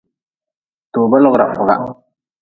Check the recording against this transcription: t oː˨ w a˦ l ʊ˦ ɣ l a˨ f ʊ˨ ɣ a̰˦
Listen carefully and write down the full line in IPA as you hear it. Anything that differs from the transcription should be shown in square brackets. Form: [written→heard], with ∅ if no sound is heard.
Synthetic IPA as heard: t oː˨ [w→b] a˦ l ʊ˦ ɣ [l→ɾ] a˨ f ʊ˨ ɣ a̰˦